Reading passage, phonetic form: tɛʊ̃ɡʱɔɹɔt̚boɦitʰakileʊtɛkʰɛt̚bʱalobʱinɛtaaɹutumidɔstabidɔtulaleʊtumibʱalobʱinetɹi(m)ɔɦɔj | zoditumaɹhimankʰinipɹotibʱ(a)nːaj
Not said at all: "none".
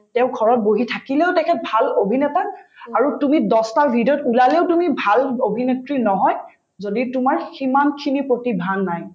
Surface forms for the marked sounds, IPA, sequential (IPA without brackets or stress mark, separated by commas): n, a